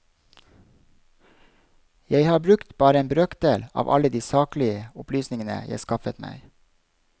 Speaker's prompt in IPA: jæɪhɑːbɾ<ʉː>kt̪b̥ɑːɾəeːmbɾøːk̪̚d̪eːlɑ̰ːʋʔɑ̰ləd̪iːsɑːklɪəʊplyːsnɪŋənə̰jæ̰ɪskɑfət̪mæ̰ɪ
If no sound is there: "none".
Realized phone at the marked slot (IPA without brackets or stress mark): ʉ